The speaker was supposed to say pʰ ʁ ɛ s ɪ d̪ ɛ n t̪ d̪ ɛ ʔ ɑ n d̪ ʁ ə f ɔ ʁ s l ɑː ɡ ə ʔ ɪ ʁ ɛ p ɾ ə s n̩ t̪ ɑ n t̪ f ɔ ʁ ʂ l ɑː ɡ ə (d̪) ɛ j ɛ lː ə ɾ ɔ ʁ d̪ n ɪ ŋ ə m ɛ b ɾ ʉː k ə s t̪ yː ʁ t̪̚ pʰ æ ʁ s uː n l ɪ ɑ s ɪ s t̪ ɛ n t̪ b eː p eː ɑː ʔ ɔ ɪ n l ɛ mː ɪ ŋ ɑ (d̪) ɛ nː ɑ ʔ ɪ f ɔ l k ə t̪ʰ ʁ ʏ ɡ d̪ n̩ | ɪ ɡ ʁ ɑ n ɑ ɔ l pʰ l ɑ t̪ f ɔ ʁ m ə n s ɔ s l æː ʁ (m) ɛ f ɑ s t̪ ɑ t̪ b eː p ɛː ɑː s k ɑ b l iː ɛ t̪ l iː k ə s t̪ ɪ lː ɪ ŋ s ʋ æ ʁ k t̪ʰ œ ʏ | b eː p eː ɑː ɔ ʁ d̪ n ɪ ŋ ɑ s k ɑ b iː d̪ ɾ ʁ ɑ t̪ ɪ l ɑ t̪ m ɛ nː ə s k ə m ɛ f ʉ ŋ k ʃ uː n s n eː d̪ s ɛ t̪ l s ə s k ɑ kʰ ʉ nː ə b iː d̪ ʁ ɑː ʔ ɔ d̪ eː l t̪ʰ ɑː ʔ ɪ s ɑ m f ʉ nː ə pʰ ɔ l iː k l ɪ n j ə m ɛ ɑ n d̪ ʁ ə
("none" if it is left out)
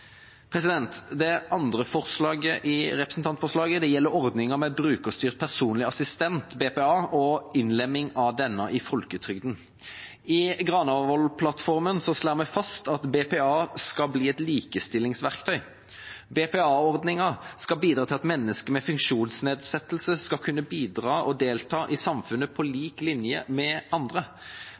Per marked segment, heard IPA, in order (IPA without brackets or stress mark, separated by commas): d̪, d̪, m